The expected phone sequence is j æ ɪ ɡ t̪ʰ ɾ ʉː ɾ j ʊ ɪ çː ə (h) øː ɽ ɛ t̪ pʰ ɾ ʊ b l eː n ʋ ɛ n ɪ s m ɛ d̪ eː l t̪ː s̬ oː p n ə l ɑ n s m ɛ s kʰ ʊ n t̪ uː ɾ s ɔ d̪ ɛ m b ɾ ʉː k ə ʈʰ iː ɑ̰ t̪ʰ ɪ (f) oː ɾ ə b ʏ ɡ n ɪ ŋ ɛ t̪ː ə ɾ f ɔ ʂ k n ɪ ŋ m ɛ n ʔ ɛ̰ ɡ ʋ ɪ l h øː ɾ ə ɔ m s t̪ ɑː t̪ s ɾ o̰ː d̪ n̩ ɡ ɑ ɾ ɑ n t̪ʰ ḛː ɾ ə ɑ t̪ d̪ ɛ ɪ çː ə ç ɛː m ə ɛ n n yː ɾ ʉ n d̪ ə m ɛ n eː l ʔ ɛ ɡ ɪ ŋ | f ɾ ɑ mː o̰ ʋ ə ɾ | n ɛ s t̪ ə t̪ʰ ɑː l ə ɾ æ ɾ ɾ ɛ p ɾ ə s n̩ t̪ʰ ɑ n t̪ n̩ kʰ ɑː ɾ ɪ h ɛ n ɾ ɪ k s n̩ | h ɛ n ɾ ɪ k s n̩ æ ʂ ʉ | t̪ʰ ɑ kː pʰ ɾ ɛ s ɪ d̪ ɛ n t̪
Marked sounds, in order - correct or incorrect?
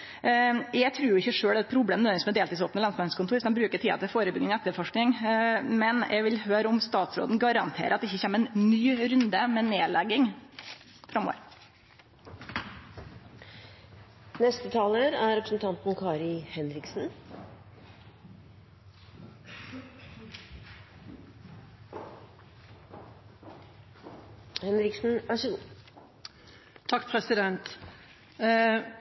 incorrect, correct

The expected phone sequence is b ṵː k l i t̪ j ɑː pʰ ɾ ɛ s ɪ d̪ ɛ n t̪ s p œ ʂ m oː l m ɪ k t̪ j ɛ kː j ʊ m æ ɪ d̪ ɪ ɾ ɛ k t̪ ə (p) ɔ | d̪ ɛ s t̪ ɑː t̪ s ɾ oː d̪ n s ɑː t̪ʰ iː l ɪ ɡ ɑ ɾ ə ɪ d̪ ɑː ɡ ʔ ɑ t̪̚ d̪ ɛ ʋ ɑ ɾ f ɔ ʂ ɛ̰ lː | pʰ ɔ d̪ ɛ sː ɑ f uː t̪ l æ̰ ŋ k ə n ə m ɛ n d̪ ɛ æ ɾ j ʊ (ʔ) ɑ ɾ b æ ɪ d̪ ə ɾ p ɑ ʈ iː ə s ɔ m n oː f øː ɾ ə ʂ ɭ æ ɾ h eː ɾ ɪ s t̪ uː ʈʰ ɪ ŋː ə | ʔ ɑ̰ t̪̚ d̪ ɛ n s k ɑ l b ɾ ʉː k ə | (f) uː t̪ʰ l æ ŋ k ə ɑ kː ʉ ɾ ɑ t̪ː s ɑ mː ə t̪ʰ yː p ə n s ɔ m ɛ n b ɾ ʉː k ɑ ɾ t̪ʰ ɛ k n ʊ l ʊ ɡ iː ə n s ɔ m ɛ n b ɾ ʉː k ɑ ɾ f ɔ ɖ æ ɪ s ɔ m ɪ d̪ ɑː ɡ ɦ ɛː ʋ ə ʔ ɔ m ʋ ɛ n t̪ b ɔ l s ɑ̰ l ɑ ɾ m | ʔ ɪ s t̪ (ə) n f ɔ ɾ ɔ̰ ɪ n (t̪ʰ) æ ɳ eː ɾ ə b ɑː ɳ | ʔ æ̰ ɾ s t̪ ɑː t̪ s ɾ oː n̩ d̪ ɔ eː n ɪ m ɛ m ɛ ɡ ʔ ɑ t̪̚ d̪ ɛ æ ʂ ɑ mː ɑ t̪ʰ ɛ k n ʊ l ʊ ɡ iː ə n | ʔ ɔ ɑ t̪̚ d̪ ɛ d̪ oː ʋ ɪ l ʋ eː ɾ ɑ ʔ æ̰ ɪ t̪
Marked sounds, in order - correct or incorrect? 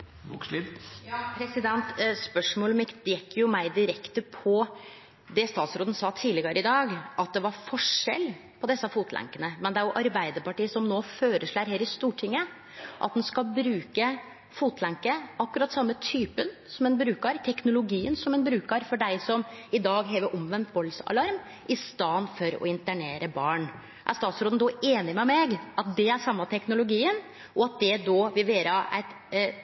incorrect, correct, correct, incorrect, incorrect

